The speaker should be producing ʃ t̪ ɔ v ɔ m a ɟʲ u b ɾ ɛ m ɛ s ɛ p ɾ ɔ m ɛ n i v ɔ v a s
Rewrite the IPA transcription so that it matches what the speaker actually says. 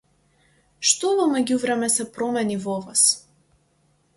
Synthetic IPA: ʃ t̪ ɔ v ɔ m ɛ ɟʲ u v ɾ ɛ m ɛ s ɛ p ɾ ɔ m ɛ n i v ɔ v a s